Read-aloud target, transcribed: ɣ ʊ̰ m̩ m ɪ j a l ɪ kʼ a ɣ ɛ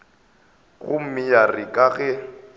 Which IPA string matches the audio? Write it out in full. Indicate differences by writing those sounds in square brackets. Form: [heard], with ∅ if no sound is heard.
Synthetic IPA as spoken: ɣ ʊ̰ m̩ m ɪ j a [r] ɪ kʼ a ɣ ɛ